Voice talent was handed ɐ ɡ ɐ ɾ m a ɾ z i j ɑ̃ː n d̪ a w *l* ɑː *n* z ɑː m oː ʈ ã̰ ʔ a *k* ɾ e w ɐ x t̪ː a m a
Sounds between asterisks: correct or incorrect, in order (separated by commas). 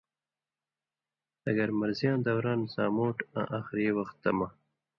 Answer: incorrect, correct, incorrect